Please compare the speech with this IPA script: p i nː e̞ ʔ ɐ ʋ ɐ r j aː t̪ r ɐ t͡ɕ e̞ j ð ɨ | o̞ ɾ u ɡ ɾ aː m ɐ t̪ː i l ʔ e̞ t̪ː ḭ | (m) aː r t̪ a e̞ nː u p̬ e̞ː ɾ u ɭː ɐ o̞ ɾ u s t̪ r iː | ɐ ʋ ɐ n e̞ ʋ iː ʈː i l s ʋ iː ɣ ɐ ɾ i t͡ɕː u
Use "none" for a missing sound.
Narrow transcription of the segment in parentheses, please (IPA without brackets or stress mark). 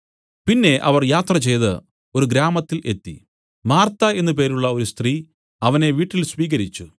m